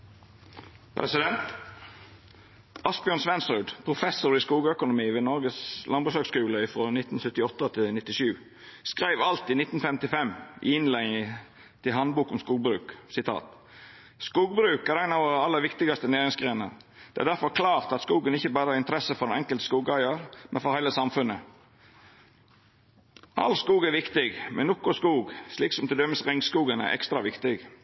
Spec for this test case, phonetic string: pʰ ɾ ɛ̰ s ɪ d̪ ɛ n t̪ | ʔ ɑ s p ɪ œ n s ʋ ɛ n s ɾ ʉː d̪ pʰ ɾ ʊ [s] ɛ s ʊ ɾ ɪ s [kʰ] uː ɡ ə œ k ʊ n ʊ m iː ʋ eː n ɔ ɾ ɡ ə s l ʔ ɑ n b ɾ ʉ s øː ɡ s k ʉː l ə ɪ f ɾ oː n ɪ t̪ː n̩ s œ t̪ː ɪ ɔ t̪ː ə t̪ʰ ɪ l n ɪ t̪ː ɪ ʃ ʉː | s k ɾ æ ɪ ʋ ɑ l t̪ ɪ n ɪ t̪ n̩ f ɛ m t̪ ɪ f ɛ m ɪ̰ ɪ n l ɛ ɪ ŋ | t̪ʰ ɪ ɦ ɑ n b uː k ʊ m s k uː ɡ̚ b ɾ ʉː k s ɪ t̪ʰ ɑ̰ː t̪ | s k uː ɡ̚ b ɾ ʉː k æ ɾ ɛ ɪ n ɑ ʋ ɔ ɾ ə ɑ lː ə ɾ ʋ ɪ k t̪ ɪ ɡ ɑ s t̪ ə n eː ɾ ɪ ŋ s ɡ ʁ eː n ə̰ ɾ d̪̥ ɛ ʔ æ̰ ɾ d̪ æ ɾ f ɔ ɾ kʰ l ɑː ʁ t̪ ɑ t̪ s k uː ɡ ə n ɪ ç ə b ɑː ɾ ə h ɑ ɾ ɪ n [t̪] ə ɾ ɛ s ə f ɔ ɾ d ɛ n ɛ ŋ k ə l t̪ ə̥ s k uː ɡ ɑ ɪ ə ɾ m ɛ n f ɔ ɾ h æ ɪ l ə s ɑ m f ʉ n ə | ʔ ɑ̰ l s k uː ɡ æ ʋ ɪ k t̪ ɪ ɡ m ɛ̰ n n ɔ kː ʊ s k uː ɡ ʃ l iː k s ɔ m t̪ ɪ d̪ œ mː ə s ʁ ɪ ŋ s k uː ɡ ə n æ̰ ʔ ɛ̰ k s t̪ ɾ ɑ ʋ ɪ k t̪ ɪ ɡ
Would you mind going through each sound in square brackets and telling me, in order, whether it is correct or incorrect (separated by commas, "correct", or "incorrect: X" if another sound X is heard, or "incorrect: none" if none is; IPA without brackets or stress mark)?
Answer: incorrect: f, incorrect: k, correct